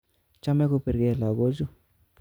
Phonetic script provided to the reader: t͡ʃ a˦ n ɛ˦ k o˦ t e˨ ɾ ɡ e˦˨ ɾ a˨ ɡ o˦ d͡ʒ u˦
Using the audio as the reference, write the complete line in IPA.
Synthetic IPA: t͡ʃ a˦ m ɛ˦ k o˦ p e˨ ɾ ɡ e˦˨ l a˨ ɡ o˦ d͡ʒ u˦